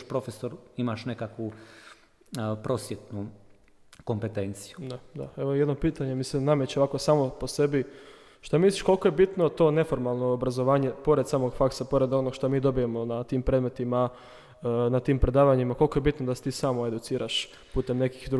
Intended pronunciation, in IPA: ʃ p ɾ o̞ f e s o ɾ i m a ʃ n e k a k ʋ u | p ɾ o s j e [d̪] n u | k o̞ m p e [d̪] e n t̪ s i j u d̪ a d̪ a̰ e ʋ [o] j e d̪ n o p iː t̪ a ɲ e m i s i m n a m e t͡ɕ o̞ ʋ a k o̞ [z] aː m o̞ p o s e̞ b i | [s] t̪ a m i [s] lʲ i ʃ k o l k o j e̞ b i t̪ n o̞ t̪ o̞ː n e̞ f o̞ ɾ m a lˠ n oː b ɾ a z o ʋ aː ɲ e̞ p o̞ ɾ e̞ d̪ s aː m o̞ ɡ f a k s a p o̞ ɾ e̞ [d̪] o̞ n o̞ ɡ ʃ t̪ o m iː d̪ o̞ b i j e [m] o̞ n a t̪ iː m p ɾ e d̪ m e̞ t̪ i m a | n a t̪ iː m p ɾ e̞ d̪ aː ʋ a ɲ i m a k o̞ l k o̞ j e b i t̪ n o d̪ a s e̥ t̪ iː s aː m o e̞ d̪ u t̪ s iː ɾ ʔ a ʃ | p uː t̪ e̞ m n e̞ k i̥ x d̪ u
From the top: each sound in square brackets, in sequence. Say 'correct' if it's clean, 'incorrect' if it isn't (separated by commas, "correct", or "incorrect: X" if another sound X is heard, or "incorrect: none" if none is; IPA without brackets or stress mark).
incorrect: t̪, incorrect: t̪, correct, incorrect: s, incorrect: ʃ, correct, correct, correct